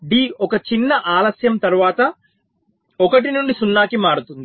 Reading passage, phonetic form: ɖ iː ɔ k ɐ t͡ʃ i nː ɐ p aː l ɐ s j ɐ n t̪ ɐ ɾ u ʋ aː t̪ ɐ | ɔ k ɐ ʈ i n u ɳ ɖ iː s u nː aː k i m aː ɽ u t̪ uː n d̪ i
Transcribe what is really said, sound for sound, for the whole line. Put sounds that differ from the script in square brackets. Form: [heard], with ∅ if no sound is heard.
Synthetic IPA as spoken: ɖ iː ɔ k ɐ t͡ʃ i nː ɐ [ʔ] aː l ɐ s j ɐ [m] t̪ ɐ ɾ u ʋ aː t̪ ɐ | ɔ k ɐ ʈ i n u ɳ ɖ [i] s u nː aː k i m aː ɽ u t̪ [u] n d̪ i